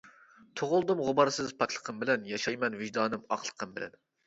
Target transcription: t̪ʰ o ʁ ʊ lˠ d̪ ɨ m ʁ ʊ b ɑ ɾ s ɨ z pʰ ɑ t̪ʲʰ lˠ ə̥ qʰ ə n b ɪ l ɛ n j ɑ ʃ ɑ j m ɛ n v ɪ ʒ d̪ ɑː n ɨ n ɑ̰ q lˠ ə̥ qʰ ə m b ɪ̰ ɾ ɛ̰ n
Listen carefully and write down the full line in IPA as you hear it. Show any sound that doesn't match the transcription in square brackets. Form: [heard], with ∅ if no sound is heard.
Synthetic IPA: t̪ʰ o ʁ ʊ lˠ d̪ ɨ m ʁ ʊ b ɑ ɾ s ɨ z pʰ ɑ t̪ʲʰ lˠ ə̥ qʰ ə [m] b ɪ l ɛ n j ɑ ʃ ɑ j m ɛ n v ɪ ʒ d̪ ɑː n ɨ [m] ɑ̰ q lˠ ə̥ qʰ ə m b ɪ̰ [l] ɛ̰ n